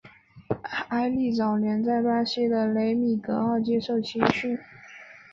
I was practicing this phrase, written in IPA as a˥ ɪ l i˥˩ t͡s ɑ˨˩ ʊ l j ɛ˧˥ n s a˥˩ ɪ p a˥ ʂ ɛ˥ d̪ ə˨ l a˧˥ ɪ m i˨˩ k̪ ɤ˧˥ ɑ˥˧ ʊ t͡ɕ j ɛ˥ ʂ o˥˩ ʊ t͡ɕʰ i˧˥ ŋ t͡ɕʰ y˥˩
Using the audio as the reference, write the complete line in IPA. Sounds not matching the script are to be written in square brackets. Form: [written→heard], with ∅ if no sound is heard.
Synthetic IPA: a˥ ɪ l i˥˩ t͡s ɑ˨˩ ʊ l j ɛ˧˥ n [s→t͡s] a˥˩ ɪ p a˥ [ʂ→ɕ] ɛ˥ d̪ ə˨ l [a˧˥→e˧˥] ɪ m i˨˩ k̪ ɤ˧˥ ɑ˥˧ ʊ t͡ɕ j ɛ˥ ʂ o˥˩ ʊ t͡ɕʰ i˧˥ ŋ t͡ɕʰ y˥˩